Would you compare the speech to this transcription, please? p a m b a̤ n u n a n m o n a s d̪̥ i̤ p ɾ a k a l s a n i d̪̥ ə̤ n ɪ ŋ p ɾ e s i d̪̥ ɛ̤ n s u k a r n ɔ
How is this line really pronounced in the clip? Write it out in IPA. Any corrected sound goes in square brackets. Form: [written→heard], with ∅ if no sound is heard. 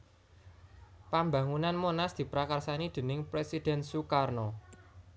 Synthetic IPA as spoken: p a m b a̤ [n→ŋ] u n a n m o n a s d̪̥ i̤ p ɾ a k a [l→r] s a n i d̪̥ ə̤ n ɪ ŋ p ɾ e s i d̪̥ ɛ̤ n s u k a r n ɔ